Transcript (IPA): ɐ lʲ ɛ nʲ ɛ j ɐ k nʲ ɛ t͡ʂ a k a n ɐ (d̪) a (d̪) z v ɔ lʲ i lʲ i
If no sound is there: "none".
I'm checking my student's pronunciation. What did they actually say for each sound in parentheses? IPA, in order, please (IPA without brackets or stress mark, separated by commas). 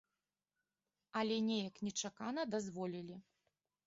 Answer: d̪, none